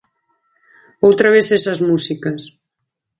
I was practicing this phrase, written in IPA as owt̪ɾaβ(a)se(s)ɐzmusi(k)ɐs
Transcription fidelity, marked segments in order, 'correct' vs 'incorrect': incorrect: e, correct, correct

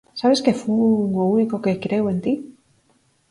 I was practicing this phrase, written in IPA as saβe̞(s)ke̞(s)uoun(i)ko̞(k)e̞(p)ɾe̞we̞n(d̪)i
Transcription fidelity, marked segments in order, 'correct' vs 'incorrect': correct, incorrect: f, correct, correct, incorrect: k, incorrect: t̪

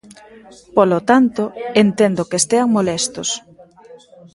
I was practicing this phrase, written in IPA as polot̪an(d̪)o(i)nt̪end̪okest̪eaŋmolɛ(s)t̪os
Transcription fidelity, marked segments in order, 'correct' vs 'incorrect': incorrect: t̪, incorrect: e, correct

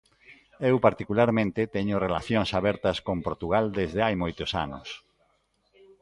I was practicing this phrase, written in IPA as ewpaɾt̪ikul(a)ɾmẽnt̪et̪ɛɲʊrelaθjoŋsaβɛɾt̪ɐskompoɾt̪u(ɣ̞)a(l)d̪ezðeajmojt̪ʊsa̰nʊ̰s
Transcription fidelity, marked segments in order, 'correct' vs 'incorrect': correct, correct, correct

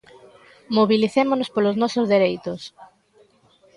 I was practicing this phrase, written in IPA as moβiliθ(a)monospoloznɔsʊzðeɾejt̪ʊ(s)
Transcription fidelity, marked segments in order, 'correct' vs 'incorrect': incorrect: e, correct

